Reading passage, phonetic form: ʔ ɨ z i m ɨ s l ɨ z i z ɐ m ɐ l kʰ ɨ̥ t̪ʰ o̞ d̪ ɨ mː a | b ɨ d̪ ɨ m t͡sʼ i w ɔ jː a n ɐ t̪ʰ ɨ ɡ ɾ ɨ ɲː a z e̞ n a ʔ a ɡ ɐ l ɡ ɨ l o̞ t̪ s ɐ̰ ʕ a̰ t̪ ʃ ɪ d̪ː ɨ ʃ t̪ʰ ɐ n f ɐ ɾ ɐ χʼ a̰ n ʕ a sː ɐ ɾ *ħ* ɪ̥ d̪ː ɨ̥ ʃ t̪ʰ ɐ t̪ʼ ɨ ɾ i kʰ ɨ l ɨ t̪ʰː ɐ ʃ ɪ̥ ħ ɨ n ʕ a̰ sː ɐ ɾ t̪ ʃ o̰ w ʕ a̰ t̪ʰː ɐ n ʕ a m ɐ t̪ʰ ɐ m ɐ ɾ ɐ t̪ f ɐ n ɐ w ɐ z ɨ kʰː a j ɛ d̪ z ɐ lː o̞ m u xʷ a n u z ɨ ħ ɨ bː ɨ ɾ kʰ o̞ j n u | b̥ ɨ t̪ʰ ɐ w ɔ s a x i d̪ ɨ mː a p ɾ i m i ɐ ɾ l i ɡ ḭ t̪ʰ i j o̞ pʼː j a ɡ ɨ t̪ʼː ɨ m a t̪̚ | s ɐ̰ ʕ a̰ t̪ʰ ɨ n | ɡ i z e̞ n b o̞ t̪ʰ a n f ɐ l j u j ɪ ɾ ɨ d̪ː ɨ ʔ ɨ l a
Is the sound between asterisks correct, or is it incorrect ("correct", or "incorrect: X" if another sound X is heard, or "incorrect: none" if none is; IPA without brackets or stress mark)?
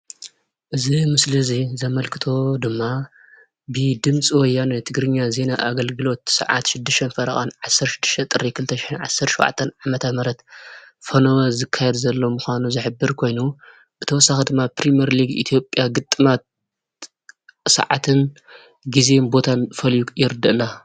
incorrect: ʃ